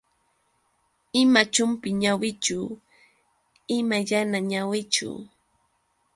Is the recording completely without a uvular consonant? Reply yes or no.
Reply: yes